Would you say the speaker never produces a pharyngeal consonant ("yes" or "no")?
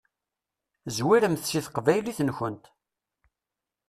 yes